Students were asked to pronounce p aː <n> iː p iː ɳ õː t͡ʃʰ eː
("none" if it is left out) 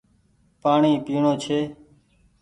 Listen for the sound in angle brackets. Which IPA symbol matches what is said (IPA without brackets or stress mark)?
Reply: ɳ